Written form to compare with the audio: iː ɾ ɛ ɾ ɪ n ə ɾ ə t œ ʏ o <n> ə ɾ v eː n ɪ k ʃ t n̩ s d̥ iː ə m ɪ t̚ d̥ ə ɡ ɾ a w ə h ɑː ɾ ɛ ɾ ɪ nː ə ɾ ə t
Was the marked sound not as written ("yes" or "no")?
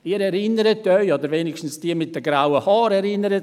yes